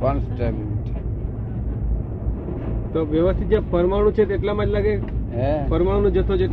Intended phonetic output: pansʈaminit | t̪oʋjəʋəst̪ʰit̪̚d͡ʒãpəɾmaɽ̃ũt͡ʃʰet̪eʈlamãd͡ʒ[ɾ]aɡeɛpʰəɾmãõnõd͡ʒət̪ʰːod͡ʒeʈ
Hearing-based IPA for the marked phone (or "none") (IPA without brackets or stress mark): l